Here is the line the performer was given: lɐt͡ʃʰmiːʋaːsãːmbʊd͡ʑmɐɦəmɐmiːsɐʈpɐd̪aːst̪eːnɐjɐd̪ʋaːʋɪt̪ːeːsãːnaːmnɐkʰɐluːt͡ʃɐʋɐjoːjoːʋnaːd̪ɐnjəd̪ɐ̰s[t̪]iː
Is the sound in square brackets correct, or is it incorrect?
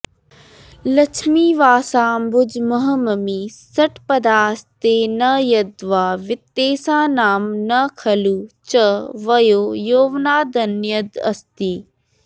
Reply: correct